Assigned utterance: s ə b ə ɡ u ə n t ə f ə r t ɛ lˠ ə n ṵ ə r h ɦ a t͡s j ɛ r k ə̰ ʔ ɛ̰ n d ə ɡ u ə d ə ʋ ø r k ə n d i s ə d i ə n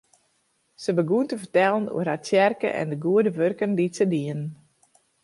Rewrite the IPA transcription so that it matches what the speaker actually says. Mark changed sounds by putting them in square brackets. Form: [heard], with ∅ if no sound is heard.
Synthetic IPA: s ə b ə ɡ u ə n t ə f ə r t ɛ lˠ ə n ṵ ə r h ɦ a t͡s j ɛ r k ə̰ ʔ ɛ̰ n d ə ɡ u ə d ə ʋ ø r k ə n d i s ə d i ə n